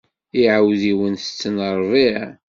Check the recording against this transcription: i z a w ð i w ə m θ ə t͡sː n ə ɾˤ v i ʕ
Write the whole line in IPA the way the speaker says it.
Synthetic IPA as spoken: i ʕ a w ð i w ə n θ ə t͡sː n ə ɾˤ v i ʕ